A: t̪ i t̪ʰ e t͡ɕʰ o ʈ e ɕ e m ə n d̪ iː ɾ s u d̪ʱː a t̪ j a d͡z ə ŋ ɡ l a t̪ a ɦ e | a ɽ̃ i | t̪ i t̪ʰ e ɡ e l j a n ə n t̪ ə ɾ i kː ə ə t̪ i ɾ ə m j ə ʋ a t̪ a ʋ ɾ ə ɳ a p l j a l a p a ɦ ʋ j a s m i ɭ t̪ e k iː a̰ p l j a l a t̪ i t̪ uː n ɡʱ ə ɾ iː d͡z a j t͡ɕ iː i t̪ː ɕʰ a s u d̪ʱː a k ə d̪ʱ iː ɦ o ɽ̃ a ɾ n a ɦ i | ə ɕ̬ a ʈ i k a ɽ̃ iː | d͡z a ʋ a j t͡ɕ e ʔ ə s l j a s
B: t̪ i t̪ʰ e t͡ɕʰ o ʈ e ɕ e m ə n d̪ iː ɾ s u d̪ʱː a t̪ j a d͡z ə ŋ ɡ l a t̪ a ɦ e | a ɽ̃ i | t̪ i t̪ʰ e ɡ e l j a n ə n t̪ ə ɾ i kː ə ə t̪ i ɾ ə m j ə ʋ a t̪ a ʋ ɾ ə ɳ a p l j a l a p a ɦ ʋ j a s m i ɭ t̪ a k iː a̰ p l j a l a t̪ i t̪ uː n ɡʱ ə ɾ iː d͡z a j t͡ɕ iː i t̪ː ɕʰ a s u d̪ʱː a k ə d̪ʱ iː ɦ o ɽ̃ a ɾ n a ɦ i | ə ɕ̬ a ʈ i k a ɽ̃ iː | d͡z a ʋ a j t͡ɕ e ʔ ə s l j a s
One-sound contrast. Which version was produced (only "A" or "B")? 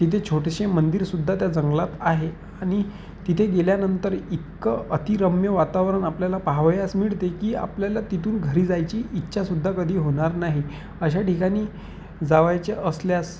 A